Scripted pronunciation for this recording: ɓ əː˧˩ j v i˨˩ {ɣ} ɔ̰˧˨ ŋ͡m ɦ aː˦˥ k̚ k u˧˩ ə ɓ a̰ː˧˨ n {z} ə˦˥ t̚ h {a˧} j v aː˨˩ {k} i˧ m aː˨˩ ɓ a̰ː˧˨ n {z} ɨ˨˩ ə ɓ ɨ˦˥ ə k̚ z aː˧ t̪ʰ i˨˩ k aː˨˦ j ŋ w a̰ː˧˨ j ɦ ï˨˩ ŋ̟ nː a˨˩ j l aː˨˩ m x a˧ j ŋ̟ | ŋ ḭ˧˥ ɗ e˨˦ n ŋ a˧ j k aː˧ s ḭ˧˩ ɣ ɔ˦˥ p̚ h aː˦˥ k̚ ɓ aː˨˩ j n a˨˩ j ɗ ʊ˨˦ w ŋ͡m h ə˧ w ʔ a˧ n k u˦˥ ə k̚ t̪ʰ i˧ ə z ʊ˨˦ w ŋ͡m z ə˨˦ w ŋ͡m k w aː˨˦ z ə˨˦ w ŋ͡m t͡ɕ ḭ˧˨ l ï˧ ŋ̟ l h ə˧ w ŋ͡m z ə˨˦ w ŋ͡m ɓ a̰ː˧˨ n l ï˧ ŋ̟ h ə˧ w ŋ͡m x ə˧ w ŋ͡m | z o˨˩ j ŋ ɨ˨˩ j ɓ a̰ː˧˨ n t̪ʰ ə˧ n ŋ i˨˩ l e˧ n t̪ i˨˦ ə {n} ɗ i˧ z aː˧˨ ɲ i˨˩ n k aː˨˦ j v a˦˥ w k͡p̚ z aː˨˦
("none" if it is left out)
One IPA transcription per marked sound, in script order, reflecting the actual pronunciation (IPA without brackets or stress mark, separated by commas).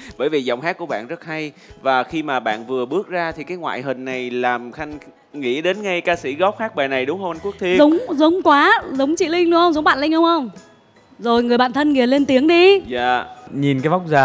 z, z, a˧, x, v, ŋ